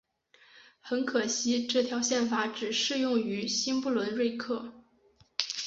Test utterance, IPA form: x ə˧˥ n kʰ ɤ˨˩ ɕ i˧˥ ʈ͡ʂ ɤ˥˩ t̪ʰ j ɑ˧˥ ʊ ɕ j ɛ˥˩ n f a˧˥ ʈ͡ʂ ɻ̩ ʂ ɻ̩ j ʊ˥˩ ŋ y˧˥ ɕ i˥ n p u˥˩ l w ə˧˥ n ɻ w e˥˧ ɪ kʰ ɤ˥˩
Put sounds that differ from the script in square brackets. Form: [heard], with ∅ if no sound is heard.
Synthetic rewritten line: x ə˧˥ n kʰ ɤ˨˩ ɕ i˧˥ ʈ͡ʂ ɤ˥˩ t̪ʰ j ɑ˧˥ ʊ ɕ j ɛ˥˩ n f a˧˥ ʈ͡ʂ ɻ̩ ʂ ɻ̩ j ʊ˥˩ ŋ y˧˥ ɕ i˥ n p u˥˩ l w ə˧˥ n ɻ w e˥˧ ɪ kʰ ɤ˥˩